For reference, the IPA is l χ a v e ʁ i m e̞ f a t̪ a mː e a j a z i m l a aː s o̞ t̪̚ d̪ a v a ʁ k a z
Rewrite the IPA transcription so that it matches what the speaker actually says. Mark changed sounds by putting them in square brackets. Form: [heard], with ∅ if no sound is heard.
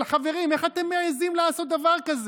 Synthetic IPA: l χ a v e ʁ i m e̞ [χ] a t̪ [e] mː e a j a z i m l a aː s o̞ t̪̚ d̪ a v a ʁ k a z